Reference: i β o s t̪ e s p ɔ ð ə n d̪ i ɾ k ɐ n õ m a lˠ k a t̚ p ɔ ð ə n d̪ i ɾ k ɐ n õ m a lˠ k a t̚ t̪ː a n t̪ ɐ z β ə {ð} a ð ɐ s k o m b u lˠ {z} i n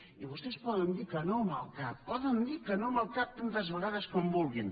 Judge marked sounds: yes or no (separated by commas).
no, no